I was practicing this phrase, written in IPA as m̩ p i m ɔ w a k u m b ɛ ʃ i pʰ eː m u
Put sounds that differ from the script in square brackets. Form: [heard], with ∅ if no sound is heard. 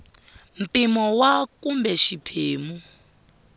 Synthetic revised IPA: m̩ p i m ɔ w a k u m b ɛ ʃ i pʰ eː m u